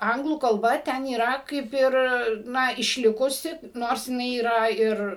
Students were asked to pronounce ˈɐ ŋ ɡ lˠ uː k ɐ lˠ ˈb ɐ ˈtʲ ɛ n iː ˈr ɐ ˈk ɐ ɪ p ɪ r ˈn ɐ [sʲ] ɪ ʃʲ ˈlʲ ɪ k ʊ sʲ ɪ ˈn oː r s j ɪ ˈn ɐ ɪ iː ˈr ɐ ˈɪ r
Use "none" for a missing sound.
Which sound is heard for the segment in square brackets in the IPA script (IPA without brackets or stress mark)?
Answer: none